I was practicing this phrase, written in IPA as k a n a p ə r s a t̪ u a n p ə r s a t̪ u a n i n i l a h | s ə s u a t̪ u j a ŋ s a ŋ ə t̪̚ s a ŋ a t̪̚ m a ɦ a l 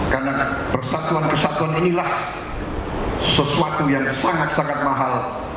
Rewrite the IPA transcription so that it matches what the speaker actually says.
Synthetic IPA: k a n a p ə r s a t̪ u a n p ə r s a t̪ u a n i n i l a h | s ə s u a t̪ u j a ŋ s a ŋ a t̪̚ s a ŋ a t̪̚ m a ɦ a l